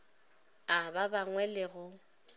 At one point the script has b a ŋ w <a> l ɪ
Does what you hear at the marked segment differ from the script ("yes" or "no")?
yes